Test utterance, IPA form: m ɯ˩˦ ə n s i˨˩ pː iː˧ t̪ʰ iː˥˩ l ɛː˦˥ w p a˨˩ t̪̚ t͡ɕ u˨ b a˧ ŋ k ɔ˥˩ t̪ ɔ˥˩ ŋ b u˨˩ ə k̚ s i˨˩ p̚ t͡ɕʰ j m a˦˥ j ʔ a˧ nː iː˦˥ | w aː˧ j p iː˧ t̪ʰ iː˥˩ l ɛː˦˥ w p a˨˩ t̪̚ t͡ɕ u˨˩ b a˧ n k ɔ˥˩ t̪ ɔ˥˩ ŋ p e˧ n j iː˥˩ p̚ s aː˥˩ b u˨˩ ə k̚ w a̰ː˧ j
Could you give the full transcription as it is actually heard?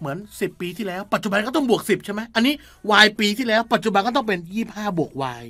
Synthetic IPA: m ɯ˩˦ ə n s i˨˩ pː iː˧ t̪ʰ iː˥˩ l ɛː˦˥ w p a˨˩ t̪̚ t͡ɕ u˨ b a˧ n k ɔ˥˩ t̪ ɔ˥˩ ŋ b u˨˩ ə k̚ s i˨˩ p̚ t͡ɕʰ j m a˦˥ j ʔ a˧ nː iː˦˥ | w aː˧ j p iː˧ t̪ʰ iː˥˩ l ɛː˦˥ w p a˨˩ t̪̚ t͡ɕ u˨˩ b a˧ n k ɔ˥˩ t̪ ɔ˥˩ ŋ p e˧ n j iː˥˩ p̚ h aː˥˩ b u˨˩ ə k̚ w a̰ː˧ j